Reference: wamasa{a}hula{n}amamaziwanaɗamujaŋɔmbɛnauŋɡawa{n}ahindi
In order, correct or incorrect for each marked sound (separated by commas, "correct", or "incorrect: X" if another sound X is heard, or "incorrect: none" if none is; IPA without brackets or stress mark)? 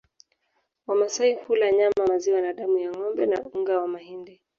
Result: incorrect: i, incorrect: ɲ, incorrect: m